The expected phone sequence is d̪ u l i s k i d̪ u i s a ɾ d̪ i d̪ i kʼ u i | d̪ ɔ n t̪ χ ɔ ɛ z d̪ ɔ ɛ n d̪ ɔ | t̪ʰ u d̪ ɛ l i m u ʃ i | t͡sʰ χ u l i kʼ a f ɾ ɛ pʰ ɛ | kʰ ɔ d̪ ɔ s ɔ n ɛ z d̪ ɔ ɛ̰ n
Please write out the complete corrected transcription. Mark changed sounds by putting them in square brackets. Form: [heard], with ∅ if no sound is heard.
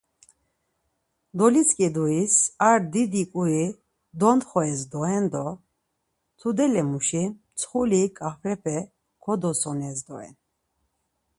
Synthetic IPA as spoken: d̪ [ɔ] l i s [kʼ] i d̪ u i s a ɾ d̪ i d̪ i kʼ u i | d̪ ɔ n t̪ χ ɔ ɛ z d̪ ɔ ɛ n d̪ ɔ | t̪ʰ u d̪ ɛ l [ɛ] m u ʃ i | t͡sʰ χ u l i kʼ a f ɾ ɛ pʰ ɛ | kʰ ɔ d̪ ɔ s ɔ n ɛ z d̪ ɔ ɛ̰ n